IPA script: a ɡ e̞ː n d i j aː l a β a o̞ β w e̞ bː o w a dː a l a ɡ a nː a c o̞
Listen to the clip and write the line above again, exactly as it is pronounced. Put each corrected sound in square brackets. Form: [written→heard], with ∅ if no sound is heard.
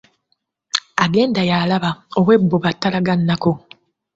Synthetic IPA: a ɡ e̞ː n d [i→a] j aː l a β a o̞ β w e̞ bː o [w→β] a [dː→tː] a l a ɡ a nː a [c→k] o̞